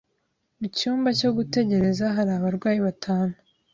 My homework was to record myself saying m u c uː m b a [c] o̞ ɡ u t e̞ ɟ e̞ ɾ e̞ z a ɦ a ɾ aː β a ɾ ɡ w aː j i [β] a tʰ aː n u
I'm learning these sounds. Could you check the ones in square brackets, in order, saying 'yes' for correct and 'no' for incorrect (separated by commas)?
yes, yes